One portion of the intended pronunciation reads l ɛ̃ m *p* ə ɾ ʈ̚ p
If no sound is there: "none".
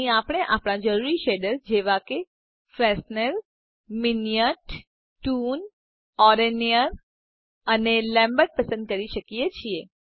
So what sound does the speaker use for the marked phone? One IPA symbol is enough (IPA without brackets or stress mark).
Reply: b